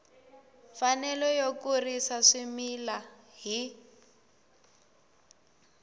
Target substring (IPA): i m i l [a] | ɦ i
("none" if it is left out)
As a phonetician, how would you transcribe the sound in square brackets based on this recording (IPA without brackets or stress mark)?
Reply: a